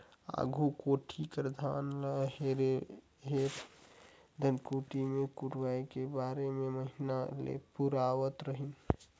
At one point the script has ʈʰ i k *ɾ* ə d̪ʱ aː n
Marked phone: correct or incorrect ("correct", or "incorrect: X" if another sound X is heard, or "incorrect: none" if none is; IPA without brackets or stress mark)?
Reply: correct